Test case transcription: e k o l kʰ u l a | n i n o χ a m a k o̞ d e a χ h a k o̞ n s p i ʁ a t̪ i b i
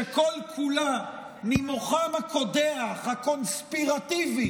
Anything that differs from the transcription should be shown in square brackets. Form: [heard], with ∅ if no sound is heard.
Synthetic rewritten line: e k o l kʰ u l a | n i [m] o χ a m a k o̞ d e a χ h a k o̞ n s p i ʁ a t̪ i [v] i